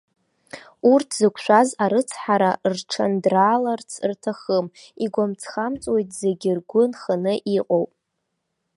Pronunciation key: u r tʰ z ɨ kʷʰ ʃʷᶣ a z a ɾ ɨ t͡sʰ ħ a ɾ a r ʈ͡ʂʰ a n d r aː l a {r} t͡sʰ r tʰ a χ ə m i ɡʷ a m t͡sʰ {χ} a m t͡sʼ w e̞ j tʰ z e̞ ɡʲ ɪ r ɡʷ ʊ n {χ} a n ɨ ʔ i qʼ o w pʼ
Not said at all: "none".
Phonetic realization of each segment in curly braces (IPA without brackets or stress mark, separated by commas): r, χ, χ